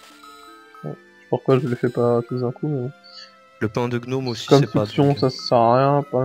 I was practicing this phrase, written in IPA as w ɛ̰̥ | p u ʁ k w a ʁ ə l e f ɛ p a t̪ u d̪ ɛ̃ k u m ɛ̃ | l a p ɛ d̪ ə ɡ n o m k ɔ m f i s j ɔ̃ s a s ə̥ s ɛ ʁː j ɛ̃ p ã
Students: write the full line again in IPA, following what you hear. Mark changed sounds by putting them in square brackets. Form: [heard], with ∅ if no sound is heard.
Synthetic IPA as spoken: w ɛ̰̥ | p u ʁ k w a [ʒ] ə l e f ɛ p a t̪ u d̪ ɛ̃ k u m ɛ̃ | l [ə] p [ɛ̃] d̪ ə ɡ n o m k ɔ m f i s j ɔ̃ s a s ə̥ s ɛ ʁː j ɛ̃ p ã